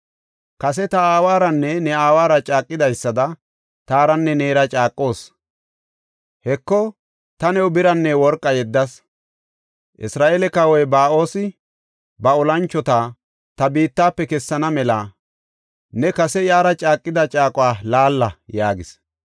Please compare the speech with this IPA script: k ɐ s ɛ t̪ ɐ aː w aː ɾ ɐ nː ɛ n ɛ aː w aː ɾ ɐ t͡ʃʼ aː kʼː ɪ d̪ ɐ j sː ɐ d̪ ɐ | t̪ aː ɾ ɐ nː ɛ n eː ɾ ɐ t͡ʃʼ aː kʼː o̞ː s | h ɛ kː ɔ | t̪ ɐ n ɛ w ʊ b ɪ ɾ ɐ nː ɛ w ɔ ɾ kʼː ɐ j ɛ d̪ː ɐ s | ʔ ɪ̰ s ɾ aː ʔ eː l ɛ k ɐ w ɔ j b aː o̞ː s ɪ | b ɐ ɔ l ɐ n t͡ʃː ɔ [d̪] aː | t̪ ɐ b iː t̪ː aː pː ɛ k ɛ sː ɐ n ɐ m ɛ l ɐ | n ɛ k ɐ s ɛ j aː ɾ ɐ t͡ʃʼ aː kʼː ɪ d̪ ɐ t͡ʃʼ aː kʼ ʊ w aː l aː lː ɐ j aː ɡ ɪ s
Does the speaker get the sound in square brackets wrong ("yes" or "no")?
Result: yes